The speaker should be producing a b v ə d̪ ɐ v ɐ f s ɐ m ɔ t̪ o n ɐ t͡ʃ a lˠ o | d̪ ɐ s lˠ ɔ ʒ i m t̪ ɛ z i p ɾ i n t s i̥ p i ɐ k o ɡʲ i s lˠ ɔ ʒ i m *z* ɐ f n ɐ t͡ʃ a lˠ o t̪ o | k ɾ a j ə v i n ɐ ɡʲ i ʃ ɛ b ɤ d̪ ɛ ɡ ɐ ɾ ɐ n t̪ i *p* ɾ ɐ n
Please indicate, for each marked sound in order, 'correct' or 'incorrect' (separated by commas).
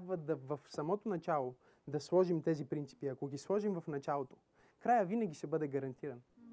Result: incorrect, incorrect